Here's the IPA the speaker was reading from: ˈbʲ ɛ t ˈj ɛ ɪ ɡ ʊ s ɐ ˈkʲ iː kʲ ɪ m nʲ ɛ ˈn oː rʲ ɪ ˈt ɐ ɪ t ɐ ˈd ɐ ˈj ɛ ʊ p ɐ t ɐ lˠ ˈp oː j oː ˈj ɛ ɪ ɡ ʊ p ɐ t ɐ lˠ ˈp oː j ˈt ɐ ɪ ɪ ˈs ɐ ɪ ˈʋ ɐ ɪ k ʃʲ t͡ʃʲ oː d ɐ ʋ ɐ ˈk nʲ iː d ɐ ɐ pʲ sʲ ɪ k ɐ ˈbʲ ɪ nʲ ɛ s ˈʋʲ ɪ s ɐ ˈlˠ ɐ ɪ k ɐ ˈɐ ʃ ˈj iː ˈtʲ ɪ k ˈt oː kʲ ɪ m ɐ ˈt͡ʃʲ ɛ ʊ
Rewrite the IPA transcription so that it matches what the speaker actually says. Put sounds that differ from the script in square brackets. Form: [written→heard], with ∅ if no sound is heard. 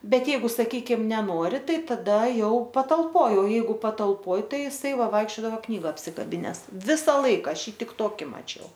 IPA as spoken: ˈbʲ ɛ t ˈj ɛ ɪ ɡ ʊ s ɐ ˈkʲ iː kʲ ɪ m nʲ ɛ ˈn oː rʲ ɪ ˈt ɐ ɪ t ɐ ˈd ɐ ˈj ɛ ʊ p ɐ t ɐ lˠ ˈp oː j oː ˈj ɛ ɪ ɡ ʊ p ɐ t ɐ lˠ ˈp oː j ˈt ɐ ɪ ɪ ˈs ɐ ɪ ˈʋ ɐ ɪ k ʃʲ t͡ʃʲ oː d ɐ ʋ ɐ ˈk nʲ iː [d→ɡ] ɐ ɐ pʲ sʲ ɪ k ɐ ˈbʲ ɪ nʲ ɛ s ˈʋʲ ɪ s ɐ ˈlˠ ɐ ɪ k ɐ ˈɐ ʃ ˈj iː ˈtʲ ɪ k ˈt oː kʲ ɪ m ɐ ˈt͡ʃʲ ɛ ʊ